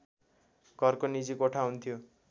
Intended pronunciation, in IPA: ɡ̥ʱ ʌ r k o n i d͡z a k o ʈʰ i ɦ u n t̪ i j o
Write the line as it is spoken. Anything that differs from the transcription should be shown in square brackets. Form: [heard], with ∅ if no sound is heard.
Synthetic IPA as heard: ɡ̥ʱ ʌ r k o n i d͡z [i] k o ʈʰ [a] ɦ u n [t̪ʰ] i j o